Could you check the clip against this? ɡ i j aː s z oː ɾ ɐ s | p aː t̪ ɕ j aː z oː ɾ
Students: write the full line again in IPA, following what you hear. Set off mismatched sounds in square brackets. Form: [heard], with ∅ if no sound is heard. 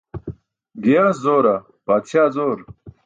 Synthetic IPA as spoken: ɡ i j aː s z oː ɾ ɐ [∅] | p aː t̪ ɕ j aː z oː ɾ

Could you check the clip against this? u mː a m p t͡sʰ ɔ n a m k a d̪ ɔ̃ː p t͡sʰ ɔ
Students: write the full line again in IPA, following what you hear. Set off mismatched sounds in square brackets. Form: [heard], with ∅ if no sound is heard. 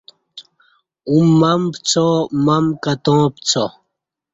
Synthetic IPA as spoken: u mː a m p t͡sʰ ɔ [m] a m k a [t̪] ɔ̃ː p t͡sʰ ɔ

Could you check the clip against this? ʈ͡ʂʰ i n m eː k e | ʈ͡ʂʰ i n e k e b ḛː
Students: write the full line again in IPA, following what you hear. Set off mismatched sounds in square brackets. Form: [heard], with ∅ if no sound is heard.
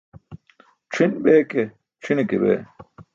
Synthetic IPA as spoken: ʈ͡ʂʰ i n [b] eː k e | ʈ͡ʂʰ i n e k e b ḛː

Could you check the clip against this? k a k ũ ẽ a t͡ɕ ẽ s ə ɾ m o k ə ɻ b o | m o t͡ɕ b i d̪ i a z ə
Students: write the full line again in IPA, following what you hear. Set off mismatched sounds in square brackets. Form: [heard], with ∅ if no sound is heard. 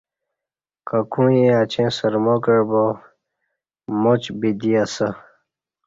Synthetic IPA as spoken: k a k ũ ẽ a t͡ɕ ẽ s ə ɾ m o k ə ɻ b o | m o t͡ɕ b i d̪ i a [s] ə

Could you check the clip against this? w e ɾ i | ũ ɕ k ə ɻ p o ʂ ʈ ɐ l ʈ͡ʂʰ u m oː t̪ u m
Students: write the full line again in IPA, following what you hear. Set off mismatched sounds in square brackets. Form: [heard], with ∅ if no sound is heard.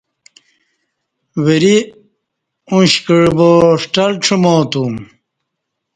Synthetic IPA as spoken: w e ɾ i | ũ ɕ k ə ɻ [b] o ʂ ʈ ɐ l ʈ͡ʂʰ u m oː t̪ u m

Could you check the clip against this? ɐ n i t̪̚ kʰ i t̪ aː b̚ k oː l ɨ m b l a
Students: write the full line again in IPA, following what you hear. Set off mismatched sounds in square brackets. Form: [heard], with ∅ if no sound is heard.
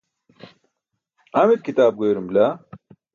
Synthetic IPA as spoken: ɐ [m] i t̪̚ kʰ i t̪ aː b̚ [ɡ] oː [ɾ] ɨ m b l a

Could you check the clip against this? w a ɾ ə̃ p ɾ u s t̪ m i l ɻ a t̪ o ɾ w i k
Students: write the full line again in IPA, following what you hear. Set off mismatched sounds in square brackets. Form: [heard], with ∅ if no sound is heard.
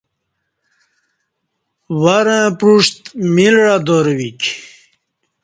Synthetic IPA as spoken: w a ɾ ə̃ p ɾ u [ʂ] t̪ m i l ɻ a [d̪] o ɾ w i k

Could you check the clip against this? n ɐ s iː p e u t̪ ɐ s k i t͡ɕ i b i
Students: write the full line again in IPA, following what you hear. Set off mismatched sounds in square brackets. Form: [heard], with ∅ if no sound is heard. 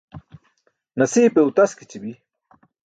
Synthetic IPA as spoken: n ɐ s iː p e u t̪ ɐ s k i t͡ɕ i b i

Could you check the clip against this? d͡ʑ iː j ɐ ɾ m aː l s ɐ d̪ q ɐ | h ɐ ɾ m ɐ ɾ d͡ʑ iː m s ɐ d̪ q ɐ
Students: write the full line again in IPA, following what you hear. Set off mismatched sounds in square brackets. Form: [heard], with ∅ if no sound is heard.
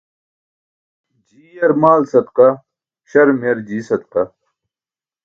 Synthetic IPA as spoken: d͡ʑ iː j ɐ ɾ m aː l s ɐ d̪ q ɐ | [ɕ] ɐ ɾ m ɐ ɾ d͡ʑ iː [∅] s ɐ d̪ q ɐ

